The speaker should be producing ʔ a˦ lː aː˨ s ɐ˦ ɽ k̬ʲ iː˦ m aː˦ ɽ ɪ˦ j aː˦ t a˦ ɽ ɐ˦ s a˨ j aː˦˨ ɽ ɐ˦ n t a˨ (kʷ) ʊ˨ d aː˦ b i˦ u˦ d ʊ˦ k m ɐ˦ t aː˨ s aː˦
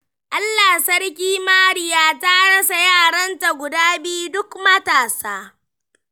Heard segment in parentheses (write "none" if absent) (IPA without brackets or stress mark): ɡʷ